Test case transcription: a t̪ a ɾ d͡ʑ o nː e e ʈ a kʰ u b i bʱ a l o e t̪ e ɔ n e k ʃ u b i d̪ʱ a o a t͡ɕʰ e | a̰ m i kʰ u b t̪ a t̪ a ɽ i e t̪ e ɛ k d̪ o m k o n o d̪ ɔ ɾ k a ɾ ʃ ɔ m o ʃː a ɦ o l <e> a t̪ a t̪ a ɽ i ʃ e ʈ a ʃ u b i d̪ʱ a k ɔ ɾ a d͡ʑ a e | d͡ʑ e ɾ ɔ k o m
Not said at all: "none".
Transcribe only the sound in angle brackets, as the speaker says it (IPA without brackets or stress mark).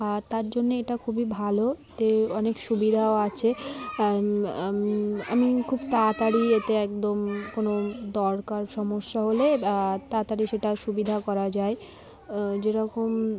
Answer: e